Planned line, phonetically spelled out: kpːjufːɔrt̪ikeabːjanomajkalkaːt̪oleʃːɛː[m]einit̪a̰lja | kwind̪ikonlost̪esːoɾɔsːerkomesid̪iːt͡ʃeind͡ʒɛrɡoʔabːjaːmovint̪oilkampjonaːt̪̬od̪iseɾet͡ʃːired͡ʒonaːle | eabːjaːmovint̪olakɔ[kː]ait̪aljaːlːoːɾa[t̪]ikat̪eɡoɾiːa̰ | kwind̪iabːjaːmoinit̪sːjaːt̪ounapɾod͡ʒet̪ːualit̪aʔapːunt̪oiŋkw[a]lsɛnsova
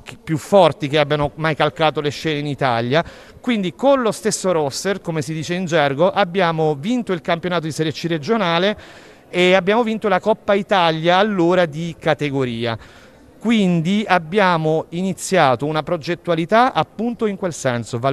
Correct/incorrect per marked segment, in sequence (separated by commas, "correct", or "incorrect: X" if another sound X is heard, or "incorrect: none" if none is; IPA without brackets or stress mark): incorrect: n, incorrect: pː, incorrect: d̪, incorrect: e